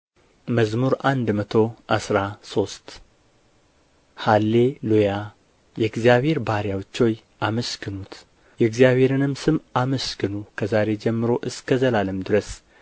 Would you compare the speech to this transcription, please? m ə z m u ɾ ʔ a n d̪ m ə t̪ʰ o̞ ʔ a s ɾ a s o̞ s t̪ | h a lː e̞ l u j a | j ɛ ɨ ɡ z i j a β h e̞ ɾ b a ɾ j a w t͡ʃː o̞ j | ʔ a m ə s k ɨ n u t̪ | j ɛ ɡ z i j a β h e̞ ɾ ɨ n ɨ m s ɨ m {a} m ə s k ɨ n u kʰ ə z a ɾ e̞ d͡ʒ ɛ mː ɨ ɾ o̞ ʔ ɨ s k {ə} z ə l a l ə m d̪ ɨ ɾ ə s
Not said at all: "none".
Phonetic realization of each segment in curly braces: a, ə

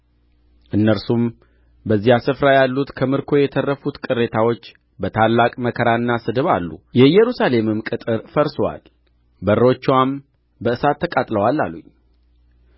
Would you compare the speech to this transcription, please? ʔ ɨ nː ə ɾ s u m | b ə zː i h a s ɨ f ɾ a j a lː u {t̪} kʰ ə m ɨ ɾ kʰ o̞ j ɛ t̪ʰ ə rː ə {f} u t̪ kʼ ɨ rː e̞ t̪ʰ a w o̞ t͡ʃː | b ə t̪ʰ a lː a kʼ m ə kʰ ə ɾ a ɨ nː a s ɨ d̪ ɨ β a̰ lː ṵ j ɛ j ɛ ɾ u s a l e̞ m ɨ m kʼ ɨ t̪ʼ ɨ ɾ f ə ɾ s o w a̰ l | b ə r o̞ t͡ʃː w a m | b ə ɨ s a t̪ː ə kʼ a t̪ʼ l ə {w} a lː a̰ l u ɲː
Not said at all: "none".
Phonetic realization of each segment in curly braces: t̪, f, w

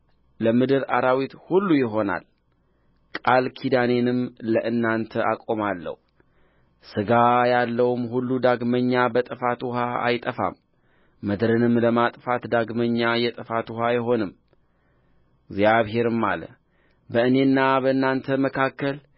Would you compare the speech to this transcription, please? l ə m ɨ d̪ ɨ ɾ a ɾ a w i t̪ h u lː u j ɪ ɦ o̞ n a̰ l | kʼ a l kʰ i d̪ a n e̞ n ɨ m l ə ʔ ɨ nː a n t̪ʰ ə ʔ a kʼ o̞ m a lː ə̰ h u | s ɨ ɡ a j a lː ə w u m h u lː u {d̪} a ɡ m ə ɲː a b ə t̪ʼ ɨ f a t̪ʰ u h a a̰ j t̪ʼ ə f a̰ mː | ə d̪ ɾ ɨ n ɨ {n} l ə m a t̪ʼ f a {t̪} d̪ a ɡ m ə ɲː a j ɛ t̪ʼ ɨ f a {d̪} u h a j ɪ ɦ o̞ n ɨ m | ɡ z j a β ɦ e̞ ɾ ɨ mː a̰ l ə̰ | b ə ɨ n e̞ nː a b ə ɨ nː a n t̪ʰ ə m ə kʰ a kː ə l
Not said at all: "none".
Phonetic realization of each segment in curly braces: d̪, m, t̪, t̪

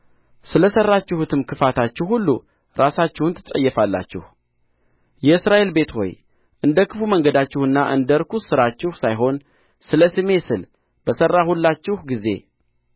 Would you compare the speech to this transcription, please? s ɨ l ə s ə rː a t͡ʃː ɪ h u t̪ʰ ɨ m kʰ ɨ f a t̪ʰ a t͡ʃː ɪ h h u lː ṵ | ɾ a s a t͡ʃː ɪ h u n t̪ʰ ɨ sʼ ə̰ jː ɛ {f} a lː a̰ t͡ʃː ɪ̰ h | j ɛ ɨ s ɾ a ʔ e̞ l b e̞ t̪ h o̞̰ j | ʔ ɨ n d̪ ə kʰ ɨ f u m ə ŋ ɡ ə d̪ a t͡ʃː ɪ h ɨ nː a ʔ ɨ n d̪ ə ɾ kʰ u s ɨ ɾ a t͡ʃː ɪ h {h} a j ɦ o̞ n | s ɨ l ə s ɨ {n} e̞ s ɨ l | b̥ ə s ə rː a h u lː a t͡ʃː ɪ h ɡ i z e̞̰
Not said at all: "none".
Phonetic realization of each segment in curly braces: f, s, m

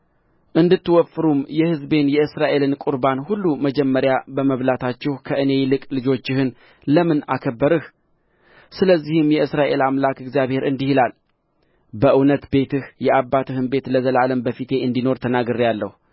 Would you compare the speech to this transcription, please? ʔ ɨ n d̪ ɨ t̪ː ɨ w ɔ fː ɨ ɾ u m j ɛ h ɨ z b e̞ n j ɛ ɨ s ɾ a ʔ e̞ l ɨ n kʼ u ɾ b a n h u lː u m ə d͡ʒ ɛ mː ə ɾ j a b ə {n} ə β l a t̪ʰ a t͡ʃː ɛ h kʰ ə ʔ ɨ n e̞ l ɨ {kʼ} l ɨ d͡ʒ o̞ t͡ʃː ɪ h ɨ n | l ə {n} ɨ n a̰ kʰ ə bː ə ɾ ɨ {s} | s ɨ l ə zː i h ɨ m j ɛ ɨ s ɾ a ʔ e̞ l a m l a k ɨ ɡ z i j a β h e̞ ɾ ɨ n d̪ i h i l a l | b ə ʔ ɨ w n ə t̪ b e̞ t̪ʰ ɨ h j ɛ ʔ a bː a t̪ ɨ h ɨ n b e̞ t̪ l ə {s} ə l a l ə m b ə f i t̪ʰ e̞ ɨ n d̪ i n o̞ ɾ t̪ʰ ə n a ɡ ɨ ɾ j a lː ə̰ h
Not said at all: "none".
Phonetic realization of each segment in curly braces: m, kʼ, m, h, z

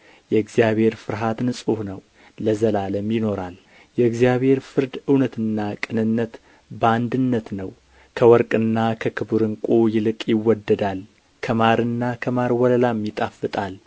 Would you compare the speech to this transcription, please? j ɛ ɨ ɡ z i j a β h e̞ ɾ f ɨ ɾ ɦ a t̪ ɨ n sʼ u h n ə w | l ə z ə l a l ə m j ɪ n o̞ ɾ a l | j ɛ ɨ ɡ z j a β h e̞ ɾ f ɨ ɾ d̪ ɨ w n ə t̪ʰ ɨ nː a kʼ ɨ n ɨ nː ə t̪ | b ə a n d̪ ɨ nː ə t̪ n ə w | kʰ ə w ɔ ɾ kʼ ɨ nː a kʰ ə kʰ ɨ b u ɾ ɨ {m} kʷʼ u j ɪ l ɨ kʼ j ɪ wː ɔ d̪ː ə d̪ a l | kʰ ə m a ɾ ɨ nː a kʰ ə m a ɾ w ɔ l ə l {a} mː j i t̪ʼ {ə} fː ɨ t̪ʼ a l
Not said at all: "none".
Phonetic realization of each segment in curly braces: ŋ, a, a

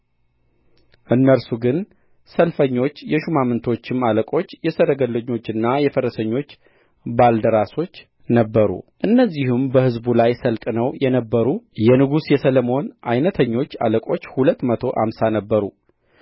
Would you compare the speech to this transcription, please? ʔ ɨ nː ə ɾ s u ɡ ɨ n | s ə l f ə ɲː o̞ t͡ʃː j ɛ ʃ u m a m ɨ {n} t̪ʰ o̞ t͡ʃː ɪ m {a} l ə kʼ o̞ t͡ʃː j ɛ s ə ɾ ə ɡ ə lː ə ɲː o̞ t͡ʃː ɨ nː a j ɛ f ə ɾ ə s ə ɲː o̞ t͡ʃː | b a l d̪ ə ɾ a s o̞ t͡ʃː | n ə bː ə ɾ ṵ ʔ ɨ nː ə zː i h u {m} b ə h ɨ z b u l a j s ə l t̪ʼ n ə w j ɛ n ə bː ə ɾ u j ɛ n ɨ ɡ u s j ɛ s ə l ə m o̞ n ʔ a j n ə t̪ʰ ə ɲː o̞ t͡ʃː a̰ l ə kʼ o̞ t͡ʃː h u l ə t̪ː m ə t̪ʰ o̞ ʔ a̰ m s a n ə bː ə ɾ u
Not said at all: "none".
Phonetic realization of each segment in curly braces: n, a, m

